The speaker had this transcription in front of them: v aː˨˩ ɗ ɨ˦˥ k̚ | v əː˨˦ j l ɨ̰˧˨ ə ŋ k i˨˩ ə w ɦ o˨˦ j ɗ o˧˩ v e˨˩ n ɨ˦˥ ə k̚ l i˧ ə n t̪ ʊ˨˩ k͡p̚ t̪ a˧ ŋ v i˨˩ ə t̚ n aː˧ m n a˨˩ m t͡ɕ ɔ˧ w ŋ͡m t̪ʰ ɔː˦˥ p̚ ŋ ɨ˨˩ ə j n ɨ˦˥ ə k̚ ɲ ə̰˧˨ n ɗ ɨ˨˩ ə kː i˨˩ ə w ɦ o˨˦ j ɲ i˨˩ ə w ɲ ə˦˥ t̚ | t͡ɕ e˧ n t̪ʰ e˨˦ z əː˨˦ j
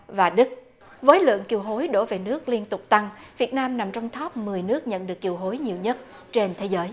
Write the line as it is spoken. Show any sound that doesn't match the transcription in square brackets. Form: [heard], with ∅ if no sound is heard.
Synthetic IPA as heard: v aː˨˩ ɗ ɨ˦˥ k̚ | v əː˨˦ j l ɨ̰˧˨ ə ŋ k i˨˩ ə w ɦ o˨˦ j ɗ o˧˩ v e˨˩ n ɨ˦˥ ə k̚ l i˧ ə n t̪ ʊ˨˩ k͡p̚ t̪ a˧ ŋ v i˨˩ ə t̚ n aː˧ m n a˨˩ m t͡ɕ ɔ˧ w ŋ͡m t̪ʰ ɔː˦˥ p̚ [m] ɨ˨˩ ə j n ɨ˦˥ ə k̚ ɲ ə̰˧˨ n ɗ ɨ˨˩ ə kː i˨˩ ə w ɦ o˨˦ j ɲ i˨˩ ə w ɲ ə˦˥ t̚ | t͡ɕ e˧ n t̪ʰ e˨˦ z əː˨˦ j

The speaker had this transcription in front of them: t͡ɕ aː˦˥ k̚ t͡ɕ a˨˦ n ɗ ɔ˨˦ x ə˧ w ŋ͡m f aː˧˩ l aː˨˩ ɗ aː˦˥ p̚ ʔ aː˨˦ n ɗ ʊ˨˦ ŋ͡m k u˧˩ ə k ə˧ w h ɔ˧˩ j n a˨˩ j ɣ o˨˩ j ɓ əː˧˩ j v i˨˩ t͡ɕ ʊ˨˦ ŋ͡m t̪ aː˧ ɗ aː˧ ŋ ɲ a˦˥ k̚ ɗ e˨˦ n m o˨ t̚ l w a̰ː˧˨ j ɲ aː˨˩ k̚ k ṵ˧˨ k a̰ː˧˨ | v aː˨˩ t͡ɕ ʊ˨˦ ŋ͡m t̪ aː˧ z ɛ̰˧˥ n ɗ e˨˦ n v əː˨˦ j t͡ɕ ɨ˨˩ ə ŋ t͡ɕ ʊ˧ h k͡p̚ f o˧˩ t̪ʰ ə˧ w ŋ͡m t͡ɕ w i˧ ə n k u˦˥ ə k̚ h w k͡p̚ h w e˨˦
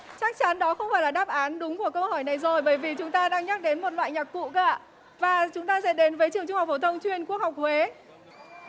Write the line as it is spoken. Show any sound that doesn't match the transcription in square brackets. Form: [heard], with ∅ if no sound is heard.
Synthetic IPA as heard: t͡ɕ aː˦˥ k̚ t͡ɕ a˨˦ n ɗ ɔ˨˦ x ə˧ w ŋ͡m f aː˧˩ l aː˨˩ ɗ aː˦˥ p̚ ʔ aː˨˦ n ɗ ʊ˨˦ ŋ͡m k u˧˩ ə k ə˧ w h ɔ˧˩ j n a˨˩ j [z] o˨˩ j ɓ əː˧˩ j v i˨˩ t͡ɕ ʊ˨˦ ŋ͡m t̪ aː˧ ɗ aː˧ ŋ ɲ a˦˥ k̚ ɗ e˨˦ n m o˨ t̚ l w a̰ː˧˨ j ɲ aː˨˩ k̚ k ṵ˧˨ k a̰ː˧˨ | v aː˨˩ t͡ɕ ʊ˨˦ ŋ͡m t̪ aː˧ z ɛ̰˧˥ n ɗ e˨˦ n v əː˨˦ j t͡ɕ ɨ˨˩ ə ŋ t͡ɕ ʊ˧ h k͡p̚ f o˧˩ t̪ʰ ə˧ w ŋ͡m t͡ɕ w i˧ ə n k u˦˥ ə k̚ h w k͡p̚ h w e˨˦

